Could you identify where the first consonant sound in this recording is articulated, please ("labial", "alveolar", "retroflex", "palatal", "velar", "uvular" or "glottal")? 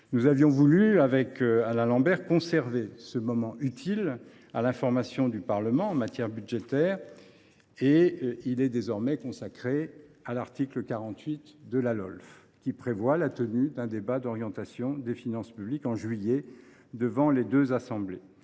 alveolar